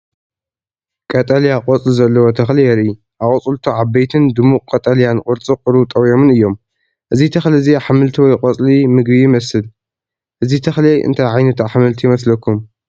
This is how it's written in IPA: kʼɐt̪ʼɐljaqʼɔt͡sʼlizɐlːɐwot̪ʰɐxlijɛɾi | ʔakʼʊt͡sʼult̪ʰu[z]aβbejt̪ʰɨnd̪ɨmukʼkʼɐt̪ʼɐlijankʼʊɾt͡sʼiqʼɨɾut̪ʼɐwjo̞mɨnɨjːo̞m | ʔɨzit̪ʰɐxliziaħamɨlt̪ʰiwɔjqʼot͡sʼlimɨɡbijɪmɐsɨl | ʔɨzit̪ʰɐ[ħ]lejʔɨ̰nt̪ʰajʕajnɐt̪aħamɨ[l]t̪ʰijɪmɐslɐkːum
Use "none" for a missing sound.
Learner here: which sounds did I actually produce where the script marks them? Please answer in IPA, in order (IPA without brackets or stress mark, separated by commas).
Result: ʕ, x, l